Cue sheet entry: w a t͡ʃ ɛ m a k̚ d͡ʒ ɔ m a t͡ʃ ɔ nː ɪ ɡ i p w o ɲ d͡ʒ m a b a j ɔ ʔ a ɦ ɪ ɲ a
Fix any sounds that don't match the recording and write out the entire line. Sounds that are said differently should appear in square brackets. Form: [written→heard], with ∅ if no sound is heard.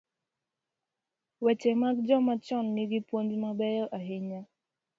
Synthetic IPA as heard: w [a→ɛ] t͡ʃ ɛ m a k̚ d͡ʒ ɔ m a t͡ʃ ɔ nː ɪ ɡ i p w o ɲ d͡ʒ m a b [a→ɛ] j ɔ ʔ a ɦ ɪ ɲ a